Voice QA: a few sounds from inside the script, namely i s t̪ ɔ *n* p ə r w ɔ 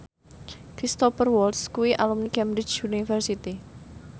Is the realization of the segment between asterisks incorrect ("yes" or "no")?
yes